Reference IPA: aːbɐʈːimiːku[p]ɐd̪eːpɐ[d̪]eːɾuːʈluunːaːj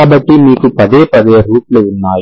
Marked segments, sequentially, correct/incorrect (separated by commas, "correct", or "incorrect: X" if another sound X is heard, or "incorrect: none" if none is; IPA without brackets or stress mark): correct, correct